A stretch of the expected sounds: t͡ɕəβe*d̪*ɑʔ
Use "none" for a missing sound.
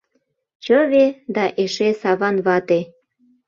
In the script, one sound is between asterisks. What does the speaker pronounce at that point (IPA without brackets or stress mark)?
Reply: d̪